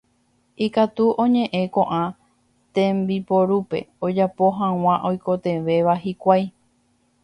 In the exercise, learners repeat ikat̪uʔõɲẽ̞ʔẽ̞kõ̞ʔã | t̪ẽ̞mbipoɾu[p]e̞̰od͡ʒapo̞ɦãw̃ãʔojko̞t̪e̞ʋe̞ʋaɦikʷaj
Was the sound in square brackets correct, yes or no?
yes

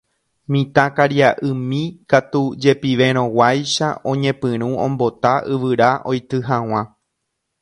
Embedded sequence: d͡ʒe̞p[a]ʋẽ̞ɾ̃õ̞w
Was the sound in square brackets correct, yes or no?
no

